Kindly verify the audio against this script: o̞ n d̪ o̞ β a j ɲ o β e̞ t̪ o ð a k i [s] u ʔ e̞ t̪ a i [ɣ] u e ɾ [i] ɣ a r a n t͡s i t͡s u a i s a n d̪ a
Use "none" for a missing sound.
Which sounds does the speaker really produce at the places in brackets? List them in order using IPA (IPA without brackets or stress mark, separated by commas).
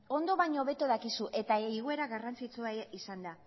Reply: s, ɣ, a